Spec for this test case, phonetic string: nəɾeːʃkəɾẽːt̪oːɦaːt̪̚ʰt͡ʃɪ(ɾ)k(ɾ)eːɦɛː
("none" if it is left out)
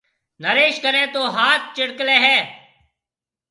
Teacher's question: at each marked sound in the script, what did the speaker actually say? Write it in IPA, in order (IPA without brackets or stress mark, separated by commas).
ɽ, l